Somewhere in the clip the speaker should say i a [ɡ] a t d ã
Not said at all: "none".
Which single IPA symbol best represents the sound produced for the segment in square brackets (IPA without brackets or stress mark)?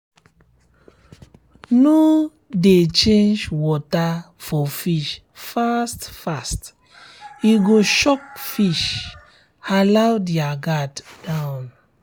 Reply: ɡ